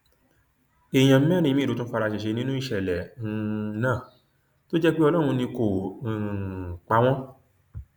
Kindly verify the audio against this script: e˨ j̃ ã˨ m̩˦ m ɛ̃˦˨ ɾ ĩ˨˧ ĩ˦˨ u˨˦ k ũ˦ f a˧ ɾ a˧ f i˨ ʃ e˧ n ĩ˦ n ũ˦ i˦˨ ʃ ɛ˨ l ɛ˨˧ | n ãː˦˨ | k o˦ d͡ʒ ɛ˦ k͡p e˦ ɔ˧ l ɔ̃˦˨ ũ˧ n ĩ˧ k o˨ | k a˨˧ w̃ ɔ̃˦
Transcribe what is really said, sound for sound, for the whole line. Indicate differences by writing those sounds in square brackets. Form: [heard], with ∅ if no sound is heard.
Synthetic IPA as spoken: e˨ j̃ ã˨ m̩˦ m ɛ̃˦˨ ɾ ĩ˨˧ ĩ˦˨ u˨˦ [t] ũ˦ f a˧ ɾ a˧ [ʃ] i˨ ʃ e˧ n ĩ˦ n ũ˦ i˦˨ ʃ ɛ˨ l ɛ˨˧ | n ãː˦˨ | [t] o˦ d͡ʒ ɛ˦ k͡p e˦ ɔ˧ l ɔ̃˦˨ ũ˧ n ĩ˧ k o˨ | [k͡p] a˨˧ w̃ ɔ̃˦

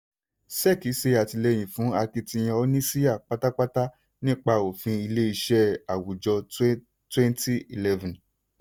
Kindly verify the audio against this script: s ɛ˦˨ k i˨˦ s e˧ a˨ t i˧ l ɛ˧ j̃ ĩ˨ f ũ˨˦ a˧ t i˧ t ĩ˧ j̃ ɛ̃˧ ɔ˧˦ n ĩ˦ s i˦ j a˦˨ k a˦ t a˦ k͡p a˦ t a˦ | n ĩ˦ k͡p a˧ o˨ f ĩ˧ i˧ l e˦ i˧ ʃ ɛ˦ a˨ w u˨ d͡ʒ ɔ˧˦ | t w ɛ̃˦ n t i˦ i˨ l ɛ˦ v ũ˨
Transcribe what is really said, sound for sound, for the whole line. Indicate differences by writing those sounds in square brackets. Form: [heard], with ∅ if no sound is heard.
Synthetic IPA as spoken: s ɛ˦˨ k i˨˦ s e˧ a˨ t i˧ l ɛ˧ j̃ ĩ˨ f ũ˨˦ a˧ [k] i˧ t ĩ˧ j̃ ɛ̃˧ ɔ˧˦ n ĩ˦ s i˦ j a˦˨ [k͡p] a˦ t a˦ k͡p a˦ t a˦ | n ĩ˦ k͡p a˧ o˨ f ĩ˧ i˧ l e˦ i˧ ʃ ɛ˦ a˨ w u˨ d͡ʒ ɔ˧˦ | t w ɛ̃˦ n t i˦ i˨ l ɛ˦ v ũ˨

